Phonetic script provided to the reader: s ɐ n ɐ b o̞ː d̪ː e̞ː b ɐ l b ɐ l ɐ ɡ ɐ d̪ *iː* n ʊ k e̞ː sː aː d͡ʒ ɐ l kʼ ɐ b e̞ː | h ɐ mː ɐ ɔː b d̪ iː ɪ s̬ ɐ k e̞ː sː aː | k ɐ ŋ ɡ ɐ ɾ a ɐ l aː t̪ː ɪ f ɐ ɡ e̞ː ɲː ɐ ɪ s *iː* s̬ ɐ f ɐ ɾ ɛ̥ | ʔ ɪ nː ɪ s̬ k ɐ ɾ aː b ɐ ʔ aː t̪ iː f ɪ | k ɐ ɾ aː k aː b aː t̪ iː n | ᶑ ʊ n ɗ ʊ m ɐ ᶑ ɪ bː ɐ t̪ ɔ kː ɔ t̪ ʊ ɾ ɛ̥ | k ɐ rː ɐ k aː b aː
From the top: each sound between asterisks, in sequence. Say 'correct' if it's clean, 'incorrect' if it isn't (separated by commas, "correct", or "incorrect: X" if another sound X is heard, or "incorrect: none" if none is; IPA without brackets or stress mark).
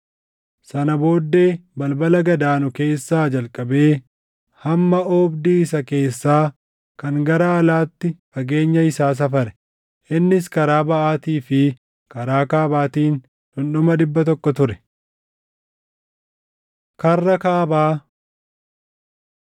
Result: incorrect: aː, incorrect: aː